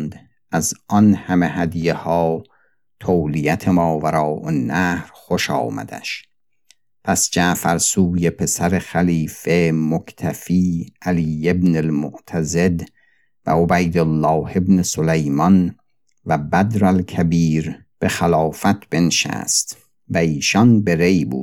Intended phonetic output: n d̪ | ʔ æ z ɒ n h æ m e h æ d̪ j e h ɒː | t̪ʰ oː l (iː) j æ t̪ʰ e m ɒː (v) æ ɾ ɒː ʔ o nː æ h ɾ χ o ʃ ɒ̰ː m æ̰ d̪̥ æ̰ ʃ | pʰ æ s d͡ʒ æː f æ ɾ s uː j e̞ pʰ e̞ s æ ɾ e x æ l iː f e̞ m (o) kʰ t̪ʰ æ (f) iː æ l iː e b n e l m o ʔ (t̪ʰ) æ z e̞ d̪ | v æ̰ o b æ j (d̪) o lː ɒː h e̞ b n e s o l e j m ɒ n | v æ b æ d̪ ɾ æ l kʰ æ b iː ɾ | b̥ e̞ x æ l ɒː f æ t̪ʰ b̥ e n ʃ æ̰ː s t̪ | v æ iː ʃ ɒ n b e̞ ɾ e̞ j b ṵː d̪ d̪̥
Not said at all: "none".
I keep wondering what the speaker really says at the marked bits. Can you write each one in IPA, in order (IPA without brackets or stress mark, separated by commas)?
i, v, o, f, t̪ʰ, d̪